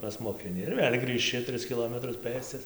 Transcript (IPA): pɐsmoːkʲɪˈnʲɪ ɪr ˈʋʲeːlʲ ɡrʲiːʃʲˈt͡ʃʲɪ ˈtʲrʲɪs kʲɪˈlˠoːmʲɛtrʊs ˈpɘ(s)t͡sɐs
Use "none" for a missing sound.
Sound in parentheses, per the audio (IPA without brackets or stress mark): s